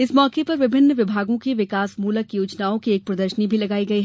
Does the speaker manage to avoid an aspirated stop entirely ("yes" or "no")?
yes